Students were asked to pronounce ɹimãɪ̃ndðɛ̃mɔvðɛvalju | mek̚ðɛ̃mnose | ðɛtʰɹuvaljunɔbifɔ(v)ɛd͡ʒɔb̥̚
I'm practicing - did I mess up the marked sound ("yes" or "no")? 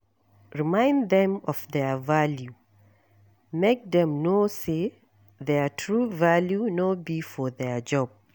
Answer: yes